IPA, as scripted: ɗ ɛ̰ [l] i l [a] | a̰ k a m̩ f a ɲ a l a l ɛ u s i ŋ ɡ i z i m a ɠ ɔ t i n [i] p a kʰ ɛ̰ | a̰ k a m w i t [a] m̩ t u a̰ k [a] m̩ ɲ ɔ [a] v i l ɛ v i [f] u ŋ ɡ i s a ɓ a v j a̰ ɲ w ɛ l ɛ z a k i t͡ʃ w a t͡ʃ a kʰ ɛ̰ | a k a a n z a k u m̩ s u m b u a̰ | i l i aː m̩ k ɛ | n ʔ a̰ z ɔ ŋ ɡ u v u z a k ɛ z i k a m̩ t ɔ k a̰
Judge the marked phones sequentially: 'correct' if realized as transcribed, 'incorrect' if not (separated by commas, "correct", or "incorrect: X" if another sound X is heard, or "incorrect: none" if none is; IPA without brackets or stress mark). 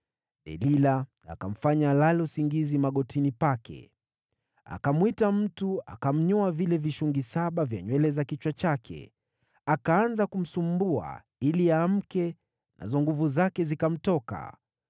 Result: correct, correct, correct, correct, correct, correct, incorrect: ʃ